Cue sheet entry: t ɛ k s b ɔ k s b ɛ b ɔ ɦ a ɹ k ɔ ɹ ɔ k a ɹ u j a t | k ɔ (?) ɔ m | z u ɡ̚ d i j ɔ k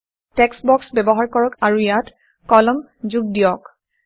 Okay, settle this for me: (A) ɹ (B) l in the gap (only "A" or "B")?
B